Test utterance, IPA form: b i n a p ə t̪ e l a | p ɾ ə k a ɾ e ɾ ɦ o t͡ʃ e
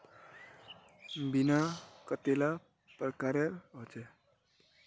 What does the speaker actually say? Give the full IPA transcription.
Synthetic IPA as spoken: b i n a k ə t̪ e l a | p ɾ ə k a ɾ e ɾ ɦ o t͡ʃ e